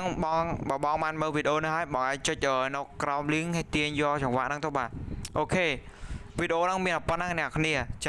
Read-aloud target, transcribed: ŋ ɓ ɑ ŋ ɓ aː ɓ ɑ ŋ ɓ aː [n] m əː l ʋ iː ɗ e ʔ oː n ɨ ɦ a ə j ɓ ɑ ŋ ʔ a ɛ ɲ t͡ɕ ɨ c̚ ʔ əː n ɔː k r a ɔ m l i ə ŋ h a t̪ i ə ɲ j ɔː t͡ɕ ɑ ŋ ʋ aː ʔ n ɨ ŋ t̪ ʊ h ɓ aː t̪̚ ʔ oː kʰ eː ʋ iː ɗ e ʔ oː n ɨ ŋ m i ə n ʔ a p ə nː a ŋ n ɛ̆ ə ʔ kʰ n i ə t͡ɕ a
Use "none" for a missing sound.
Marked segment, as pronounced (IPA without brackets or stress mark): n